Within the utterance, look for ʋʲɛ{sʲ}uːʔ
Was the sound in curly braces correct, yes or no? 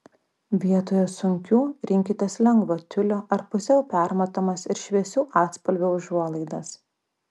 yes